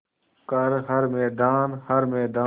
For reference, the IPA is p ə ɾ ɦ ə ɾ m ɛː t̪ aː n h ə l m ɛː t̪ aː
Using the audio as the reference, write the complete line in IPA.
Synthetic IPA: k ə ɾ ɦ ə ɾ m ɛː d̪ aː n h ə ɾ m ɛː d̪ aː